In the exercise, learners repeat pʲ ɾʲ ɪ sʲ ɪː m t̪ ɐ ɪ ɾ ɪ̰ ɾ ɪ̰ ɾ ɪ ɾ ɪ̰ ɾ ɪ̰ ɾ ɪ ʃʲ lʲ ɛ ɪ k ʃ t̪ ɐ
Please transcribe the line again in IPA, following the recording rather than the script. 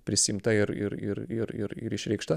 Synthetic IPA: pʲ ɾʲ ɪ sʲ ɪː m t̪ ɐ ɪ ɾ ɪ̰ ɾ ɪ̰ ɾ ɪ ɾ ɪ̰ ɾ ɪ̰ ɾ ɪ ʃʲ ɾʲ ɛ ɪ k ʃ t̪ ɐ